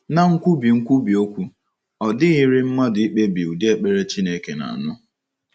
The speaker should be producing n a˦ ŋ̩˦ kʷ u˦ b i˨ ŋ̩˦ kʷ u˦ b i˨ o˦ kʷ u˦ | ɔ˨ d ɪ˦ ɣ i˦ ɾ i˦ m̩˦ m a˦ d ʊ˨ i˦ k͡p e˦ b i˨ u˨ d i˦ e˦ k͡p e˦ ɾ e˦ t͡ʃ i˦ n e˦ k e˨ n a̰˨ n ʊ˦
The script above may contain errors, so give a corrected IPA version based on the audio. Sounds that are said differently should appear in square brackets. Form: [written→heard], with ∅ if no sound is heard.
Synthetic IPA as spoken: n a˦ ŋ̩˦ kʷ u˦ b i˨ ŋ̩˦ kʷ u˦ b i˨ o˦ kʷ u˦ | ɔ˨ d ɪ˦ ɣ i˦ ɾ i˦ m̩˦ m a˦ d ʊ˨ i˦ k͡p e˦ b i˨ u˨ d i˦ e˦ k͡p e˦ ɾ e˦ t͡ʃ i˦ n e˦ k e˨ n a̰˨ n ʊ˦